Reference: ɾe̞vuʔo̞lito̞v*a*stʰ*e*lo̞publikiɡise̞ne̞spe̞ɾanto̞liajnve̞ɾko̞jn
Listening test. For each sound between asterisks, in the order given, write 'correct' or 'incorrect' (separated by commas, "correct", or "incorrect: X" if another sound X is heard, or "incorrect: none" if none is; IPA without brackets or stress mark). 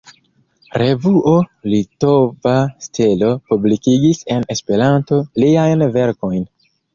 correct, correct